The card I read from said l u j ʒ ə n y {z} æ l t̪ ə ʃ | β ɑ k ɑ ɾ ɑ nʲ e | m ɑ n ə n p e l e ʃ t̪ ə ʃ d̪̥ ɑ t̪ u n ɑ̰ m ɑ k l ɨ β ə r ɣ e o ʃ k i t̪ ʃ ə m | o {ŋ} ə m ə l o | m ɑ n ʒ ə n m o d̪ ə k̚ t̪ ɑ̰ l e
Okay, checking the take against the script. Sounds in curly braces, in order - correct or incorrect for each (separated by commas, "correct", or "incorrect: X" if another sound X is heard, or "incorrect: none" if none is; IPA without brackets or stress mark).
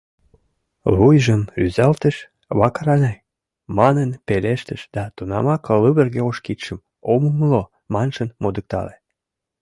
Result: correct, incorrect: m